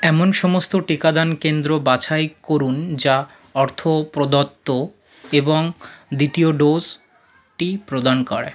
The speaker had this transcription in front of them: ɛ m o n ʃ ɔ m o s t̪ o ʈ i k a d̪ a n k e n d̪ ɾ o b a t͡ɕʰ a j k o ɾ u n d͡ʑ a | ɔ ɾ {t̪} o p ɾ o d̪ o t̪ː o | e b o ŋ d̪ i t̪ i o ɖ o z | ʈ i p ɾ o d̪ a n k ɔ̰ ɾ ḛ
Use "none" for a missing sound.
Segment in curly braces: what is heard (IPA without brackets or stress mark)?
t̪ʰ